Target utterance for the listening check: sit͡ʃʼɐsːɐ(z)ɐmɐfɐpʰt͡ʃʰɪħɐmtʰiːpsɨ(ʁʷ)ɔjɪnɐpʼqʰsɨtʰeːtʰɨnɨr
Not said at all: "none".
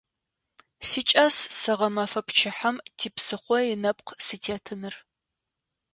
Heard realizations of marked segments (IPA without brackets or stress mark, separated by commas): ʁ, χʷ